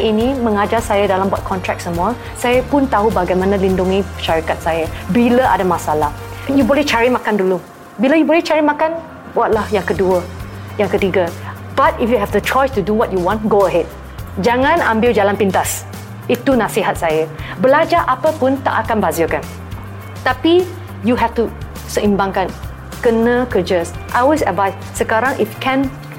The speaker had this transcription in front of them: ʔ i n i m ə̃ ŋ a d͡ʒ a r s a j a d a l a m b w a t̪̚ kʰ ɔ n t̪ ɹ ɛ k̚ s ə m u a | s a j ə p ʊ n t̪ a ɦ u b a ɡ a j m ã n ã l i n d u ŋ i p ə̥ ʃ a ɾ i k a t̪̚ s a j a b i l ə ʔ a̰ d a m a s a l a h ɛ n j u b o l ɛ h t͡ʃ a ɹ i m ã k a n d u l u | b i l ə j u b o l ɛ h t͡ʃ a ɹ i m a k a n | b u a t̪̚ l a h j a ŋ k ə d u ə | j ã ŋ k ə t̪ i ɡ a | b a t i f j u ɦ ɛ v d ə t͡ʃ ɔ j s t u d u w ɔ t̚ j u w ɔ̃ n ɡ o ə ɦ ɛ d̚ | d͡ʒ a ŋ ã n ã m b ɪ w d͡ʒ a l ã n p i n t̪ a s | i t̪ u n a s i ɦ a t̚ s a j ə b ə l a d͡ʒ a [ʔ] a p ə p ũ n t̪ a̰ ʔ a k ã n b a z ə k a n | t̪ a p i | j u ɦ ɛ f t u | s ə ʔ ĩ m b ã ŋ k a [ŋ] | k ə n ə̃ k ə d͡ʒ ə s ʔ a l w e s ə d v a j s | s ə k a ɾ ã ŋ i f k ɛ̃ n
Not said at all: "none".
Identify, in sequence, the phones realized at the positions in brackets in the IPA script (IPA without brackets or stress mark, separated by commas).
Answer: ʔ, n